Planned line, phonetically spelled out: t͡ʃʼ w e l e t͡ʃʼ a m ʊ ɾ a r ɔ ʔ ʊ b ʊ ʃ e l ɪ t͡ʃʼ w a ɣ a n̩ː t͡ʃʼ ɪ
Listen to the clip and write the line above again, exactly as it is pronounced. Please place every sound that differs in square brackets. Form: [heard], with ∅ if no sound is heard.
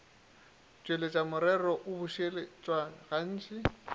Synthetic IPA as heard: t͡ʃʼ w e l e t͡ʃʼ a m ʊ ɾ [ɛ] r ɔ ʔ ʊ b ʊ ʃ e l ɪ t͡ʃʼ w a ɣ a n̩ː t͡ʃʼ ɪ